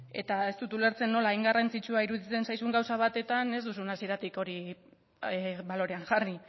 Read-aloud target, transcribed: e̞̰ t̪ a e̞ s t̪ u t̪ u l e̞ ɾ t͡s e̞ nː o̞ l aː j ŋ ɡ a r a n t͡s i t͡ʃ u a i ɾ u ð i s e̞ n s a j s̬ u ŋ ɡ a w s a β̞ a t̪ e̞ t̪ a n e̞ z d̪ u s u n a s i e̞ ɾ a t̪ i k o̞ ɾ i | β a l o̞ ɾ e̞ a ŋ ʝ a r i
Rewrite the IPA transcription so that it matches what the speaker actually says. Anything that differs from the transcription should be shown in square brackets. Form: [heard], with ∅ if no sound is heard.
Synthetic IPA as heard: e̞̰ t̪ a e̞ s t̪ u t̪ u l e̞ ɾ t͡s e̞ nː o̞ l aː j ŋ ɡ a r a n t͡s i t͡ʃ u a i ɾ u ð i [t͡s] e̞ n s a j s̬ u ŋ ɡ a w s a β̞ a t̪ e̞ t̪ a n e̞ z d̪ u s u n a s i e̞ ɾ a t̪ i k o̞ ɾ i | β a l o̞ ɾ e̞ a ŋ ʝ a r i